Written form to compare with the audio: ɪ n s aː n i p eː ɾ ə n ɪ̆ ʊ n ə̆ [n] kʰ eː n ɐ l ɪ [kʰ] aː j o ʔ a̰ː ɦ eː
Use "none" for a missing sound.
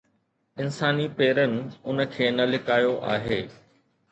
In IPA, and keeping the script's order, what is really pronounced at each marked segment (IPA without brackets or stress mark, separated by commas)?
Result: none, k